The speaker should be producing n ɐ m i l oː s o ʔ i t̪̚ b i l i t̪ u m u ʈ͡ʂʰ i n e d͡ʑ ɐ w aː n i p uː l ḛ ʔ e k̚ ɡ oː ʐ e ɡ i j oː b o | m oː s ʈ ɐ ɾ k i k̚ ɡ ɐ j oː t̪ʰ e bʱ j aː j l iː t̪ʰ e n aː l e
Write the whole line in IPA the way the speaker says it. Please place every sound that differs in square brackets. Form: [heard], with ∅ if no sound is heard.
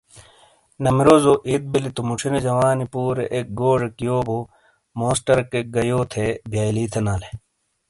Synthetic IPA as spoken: n ɐ m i [ɾ] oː [z] o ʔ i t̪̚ b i l i t̪ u m u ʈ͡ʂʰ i n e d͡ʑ ɐ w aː n i p uː [ɾ] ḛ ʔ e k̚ ɡ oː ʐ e [k] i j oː b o | m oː s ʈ ɐ ɾ k [e] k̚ ɡ ɐ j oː t̪ʰ e bʱ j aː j l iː t̪ʰ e n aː l e